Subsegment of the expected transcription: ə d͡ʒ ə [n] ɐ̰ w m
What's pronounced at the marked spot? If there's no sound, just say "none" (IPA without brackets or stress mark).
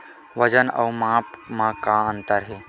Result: n